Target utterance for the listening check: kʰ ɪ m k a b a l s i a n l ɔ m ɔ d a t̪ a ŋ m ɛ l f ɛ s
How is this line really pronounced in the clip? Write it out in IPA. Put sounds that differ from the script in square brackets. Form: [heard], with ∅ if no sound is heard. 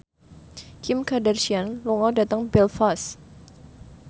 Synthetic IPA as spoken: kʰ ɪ m k a [d] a [r] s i a n l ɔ [ŋ] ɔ d a t̪ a ŋ [b] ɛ l f [a] s